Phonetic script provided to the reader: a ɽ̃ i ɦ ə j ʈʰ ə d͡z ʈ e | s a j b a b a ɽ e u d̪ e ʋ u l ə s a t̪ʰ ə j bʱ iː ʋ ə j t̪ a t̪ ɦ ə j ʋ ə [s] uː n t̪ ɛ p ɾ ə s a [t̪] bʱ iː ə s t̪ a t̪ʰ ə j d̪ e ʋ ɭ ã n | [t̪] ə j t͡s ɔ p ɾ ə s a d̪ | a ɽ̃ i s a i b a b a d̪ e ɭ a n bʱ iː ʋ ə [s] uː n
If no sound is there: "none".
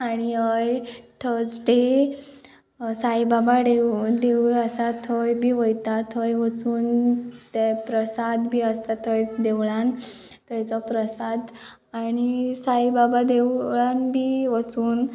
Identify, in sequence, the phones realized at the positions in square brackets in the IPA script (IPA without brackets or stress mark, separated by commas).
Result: t͡s, d̪, t̪, t͡s